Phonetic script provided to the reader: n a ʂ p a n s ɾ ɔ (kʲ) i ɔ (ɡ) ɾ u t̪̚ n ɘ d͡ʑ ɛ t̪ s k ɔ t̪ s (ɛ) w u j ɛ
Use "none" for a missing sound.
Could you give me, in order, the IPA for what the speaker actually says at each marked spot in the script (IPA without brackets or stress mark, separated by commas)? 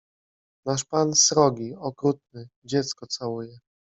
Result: ɡʲ, k, a